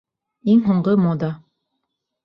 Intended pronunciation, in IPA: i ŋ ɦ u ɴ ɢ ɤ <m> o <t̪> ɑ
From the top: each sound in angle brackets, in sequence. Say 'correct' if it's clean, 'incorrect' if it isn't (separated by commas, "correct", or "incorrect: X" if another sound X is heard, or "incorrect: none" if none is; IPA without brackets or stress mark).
correct, incorrect: d̪